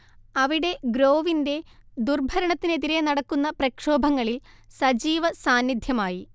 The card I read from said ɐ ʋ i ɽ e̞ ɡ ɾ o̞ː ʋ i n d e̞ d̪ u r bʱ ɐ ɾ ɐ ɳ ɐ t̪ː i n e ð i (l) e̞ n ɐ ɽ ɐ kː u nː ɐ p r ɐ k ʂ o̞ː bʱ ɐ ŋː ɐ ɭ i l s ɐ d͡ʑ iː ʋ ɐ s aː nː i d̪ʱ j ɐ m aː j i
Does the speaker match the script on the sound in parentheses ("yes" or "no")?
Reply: no